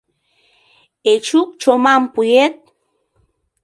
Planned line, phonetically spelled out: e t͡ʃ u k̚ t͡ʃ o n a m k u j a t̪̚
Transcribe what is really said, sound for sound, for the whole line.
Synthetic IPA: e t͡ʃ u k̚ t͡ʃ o m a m p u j e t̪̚